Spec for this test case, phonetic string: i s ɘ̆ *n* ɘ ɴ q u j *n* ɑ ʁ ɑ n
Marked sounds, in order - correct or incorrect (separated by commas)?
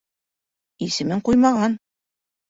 incorrect, incorrect